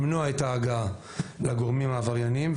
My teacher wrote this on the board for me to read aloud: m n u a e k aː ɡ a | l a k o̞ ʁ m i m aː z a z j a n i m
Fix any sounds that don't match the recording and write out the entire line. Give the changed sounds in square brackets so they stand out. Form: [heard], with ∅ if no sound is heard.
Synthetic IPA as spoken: m n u a e [t] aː ɡ a | l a [ɡ] o̞ ʁ m i m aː [v] a [ʁ] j a n i m